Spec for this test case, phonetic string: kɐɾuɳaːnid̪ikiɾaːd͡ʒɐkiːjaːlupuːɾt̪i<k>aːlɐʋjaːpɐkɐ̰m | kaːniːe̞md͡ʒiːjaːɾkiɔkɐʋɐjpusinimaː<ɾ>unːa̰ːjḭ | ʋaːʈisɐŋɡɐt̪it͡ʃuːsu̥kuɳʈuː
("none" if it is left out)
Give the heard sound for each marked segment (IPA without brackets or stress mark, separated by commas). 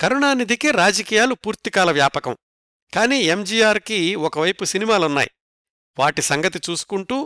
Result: k, l